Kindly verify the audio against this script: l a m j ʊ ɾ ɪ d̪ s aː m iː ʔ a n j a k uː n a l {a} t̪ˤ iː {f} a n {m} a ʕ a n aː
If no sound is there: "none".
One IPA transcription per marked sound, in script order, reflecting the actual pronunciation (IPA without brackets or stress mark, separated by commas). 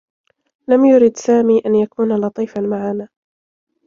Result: ɑ, f, m